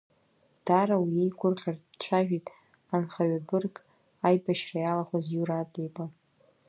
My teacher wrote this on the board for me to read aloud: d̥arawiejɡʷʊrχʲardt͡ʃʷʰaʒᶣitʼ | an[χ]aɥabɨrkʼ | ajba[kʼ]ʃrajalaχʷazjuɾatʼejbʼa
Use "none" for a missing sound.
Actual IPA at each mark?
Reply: χ, none

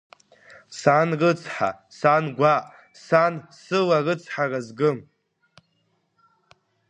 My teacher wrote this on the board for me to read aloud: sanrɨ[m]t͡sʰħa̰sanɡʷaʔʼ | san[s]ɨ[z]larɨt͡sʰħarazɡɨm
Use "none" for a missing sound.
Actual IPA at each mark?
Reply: none, s, none

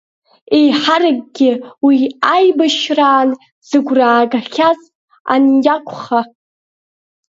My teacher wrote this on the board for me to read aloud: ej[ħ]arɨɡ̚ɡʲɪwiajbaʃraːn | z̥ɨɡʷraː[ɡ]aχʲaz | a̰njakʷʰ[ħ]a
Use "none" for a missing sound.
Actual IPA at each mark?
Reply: ħ, ɡ, χ

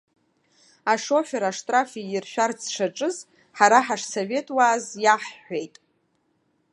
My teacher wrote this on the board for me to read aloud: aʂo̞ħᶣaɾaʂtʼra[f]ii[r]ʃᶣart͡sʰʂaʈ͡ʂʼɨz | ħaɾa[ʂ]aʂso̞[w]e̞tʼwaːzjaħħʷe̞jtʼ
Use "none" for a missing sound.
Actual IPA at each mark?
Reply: f, r, ħ, v

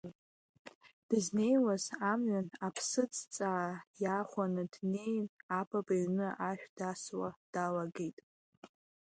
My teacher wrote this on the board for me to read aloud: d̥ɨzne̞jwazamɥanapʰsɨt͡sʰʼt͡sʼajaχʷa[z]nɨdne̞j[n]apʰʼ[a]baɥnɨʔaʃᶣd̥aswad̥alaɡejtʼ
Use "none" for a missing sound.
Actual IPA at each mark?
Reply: none, n, a

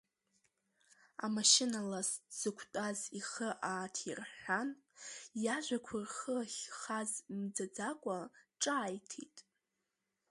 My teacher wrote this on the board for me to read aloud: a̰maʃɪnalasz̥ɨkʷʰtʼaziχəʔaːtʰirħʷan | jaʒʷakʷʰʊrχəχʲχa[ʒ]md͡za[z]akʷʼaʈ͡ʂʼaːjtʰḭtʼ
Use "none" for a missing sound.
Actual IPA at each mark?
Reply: z, d͡z

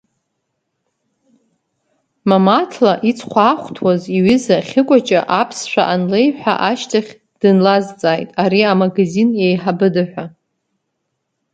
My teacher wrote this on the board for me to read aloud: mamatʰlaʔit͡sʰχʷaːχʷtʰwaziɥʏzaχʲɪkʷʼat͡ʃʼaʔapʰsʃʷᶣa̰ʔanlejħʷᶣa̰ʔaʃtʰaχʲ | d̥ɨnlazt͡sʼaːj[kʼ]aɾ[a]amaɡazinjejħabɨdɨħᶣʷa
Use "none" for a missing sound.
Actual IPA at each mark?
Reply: tʼ, i

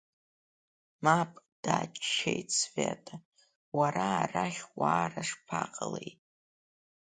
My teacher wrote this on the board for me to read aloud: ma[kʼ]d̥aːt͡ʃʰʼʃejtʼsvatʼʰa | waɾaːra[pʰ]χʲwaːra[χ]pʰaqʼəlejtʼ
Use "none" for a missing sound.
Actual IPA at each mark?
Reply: pʼ, none, ʂ

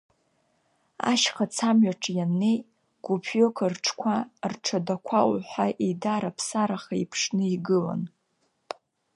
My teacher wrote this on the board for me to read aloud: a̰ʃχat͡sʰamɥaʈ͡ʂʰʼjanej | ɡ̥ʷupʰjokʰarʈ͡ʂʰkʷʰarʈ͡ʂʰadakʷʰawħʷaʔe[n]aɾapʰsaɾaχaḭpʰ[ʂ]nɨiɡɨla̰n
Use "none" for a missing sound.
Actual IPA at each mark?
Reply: d, ʂ

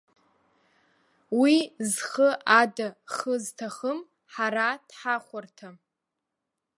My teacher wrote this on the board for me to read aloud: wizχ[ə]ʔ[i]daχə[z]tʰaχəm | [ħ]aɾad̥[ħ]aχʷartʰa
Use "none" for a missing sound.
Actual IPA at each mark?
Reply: ə, a, z, ħ, ħ

